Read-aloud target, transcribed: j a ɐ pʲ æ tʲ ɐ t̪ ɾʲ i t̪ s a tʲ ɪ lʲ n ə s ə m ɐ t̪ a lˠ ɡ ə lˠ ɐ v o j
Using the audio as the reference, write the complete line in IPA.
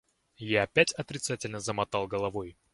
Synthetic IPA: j a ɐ pʲ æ tʲ ɐ t̪ ɾʲ ɪ t̪ s a tʲ ɪ lʲ n ə z ə m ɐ t̪ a lˠ ɡ ə lˠ ɐ v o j